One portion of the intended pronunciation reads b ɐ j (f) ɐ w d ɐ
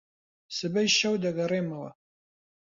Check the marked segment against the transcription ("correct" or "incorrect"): incorrect